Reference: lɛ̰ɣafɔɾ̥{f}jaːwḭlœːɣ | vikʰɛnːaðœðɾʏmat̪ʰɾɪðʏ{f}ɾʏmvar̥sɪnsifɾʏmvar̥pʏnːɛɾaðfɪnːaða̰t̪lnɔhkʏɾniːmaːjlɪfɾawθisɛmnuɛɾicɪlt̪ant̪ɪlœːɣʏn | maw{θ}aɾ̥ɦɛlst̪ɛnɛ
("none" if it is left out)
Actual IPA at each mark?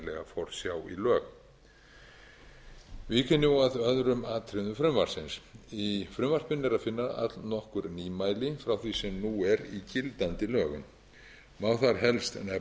s, f, θ

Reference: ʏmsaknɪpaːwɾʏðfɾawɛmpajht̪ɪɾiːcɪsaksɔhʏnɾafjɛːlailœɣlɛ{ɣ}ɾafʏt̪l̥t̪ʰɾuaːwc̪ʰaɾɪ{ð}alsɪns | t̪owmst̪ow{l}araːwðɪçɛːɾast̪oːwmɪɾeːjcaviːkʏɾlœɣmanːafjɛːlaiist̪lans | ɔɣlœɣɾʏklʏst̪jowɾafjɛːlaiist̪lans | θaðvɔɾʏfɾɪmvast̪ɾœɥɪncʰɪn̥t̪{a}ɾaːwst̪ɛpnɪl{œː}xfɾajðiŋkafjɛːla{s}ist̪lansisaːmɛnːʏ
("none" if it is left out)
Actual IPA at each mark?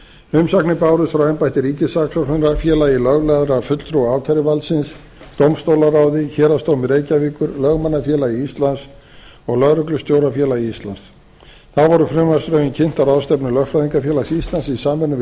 ð, v, l, a, œ, s

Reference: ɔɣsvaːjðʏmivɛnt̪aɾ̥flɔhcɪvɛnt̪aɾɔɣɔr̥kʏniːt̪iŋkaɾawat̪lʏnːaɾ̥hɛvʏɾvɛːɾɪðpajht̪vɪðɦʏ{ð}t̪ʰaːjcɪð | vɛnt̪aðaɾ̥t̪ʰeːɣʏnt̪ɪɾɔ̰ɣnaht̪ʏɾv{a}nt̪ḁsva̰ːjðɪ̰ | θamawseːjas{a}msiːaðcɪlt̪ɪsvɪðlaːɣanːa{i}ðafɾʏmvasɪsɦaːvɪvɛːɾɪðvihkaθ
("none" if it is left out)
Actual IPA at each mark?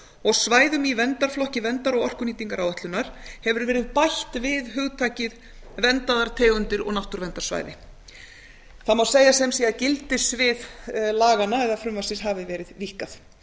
ɣ, ɛ, ɛ, ɛ

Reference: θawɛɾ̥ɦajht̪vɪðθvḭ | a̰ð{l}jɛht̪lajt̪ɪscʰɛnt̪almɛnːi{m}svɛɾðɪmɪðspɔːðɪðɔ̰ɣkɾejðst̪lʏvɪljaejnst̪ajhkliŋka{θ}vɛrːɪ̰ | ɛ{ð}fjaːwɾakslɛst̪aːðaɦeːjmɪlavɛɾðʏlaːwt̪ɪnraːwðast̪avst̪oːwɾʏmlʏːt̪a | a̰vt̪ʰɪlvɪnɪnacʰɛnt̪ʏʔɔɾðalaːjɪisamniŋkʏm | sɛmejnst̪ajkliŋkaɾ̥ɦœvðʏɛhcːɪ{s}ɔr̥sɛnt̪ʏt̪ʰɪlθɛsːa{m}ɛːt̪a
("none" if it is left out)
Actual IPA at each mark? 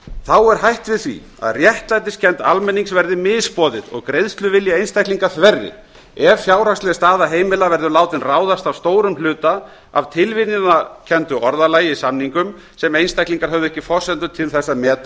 r, ŋ, θ, v, f, m

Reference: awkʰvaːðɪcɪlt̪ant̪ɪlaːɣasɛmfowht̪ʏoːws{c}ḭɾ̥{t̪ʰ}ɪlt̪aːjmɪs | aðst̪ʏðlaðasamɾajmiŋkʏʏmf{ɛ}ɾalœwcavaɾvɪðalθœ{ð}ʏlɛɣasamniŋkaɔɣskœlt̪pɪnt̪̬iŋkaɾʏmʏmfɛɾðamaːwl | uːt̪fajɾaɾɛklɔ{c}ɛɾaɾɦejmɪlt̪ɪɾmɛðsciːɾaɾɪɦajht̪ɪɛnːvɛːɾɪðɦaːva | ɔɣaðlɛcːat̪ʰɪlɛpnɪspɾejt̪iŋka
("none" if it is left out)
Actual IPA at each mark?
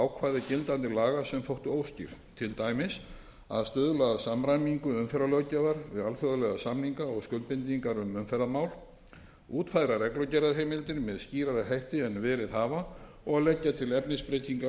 c, t̪ʰ, ɛ, ð, c

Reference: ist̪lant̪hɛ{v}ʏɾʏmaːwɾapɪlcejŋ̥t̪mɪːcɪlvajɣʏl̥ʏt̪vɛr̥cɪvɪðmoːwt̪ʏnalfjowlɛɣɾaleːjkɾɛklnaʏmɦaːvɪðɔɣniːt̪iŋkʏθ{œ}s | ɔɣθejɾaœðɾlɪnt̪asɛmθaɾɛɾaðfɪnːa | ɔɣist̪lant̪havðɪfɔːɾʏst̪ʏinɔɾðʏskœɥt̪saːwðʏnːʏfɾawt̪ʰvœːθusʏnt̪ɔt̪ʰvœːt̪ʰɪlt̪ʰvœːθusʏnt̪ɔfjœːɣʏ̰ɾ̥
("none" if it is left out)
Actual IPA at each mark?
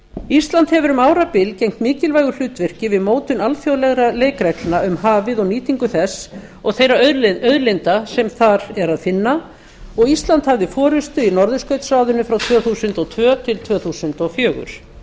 v, ɛ

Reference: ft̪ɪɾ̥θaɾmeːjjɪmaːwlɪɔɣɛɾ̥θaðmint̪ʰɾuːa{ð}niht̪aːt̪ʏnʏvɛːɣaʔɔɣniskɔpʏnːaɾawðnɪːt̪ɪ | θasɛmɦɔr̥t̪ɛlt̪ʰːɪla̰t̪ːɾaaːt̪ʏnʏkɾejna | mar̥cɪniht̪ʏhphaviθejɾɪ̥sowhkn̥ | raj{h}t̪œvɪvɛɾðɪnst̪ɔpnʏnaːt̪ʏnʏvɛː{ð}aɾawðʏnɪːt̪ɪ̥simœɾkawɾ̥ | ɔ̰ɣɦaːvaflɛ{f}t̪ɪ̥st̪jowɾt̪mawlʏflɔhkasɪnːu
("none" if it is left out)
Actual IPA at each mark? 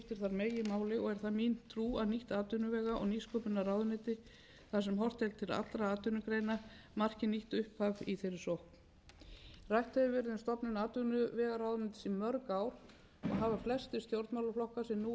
ð, h, ɣ, s

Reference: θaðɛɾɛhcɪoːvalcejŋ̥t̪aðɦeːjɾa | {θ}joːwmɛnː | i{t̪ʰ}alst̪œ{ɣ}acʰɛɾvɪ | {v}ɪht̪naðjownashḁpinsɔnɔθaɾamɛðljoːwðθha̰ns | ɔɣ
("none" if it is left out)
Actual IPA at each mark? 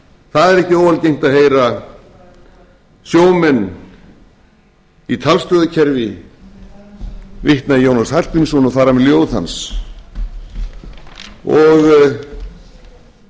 s, t̪ʰ, ð, v

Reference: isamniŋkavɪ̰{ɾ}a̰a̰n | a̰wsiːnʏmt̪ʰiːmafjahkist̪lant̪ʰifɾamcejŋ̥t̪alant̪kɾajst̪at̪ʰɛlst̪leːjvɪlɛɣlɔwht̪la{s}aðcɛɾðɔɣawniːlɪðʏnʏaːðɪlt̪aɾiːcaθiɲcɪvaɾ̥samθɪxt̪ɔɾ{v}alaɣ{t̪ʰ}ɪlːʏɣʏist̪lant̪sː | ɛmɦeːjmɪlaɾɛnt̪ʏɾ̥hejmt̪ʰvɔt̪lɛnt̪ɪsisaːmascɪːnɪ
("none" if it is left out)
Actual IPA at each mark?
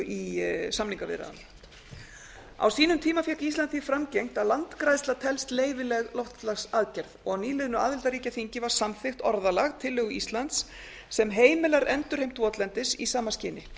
ɾ, s, ð, t̪ʰ

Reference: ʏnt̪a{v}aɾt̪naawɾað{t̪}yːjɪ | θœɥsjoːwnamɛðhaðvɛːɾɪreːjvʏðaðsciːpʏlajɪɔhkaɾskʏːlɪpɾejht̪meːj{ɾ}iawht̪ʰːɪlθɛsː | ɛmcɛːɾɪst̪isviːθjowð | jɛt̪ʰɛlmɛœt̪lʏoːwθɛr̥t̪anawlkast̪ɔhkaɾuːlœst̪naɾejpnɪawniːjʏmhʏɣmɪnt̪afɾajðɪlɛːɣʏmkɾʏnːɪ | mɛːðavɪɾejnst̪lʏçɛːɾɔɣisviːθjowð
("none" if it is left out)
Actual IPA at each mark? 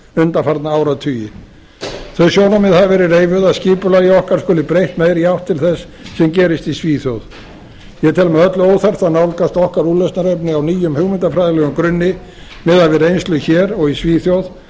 f, t̪ʰ, ɾ

